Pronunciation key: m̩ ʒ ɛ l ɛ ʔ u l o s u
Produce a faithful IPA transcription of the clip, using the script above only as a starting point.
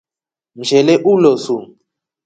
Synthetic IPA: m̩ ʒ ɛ l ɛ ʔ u l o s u